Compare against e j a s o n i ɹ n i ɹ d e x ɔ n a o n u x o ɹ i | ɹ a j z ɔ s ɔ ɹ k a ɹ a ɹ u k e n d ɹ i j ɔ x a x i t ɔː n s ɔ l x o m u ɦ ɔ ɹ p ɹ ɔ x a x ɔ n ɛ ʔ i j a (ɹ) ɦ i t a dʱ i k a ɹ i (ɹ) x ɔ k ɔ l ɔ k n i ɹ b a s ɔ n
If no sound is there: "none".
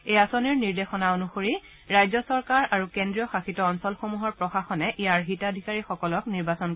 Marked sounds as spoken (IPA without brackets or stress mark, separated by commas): ɹ, none